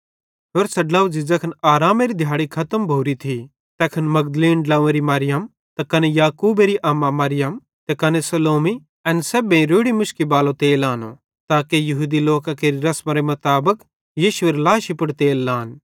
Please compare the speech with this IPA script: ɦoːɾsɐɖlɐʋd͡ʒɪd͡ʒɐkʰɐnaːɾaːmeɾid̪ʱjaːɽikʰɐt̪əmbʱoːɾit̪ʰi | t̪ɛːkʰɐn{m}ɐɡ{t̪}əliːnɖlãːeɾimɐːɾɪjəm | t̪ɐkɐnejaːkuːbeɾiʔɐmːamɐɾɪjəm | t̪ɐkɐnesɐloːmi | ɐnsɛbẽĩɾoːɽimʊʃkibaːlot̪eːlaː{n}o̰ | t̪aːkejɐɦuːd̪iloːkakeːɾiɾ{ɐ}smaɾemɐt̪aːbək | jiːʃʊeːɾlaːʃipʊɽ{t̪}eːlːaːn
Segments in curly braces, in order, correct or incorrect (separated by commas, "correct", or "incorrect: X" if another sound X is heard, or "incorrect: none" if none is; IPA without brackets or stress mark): correct, incorrect: d̪, correct, correct, correct